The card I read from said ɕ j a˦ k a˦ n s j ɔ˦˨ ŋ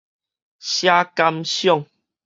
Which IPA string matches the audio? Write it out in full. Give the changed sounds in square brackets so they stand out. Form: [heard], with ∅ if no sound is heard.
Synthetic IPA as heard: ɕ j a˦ k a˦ [m] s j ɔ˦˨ ŋ